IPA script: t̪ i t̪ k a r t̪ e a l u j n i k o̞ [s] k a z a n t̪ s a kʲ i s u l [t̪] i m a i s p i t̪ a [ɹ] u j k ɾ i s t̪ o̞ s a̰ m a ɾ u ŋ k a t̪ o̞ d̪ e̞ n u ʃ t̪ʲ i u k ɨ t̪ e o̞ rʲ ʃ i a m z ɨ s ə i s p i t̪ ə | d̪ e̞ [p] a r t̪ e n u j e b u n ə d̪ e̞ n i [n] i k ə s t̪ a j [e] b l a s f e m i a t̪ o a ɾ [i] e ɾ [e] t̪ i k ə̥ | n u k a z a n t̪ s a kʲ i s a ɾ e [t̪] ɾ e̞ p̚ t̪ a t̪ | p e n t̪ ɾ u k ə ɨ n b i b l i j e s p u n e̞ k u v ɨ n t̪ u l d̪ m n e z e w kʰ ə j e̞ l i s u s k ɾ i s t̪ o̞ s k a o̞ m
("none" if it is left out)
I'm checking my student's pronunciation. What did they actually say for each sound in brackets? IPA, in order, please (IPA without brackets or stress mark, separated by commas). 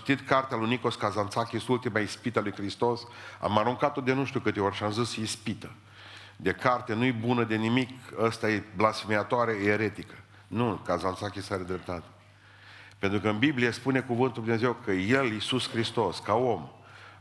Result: s, t̪, l, k, m, e, e, e, d̪